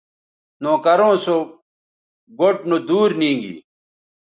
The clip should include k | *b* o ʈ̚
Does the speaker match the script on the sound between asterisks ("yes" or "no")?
no